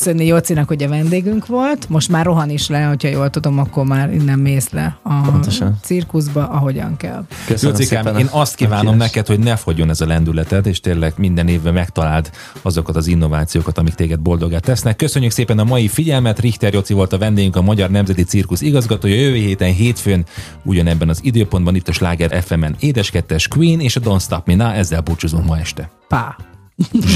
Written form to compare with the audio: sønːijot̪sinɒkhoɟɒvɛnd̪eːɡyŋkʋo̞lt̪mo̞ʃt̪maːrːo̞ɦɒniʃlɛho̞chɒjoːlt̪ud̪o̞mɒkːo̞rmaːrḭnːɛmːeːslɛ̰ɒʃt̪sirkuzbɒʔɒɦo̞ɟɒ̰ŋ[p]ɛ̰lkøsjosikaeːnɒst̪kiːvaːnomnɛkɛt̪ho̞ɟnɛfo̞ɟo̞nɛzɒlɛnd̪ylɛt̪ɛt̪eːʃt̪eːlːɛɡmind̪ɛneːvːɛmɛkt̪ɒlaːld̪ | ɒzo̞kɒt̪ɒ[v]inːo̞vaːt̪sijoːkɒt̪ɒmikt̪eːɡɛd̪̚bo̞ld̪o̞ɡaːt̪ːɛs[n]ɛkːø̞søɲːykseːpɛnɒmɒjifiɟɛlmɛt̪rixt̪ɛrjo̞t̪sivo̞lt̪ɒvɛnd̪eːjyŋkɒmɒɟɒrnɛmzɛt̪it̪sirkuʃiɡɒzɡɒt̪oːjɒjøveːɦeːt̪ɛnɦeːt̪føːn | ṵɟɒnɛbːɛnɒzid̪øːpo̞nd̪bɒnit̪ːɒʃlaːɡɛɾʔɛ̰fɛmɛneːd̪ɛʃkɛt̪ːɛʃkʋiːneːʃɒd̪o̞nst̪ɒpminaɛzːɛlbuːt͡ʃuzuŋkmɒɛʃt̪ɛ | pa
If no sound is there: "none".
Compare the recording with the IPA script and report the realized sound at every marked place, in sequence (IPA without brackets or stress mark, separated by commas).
k, z, n